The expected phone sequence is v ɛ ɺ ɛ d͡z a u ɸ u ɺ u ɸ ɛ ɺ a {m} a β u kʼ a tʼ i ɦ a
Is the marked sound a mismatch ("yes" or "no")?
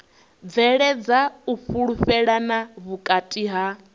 yes